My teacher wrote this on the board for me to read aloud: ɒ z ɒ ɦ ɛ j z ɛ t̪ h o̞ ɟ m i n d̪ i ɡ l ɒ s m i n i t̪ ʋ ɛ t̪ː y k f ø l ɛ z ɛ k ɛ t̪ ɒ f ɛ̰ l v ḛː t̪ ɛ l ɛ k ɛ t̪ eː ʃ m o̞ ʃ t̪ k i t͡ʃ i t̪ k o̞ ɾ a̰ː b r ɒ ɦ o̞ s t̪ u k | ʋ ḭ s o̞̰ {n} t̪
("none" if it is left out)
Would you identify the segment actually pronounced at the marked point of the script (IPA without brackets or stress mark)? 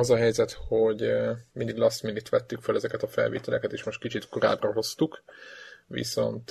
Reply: n